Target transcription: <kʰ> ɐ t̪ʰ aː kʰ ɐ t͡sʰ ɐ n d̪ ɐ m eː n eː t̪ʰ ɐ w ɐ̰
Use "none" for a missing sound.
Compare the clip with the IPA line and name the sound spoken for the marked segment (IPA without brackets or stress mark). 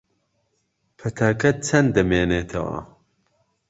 pʰ